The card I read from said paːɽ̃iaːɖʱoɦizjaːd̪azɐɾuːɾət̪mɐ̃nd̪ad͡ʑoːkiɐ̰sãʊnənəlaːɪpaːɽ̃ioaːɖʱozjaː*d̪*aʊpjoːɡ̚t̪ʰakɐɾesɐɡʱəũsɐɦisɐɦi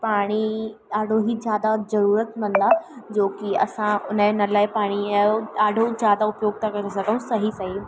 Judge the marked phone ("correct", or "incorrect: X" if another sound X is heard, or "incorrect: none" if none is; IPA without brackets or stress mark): correct